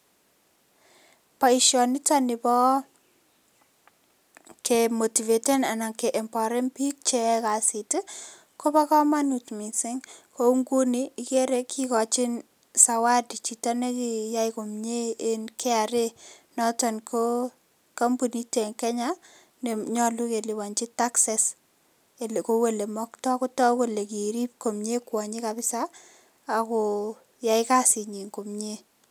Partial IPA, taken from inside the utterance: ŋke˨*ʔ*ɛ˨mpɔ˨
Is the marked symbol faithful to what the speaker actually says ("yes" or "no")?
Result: yes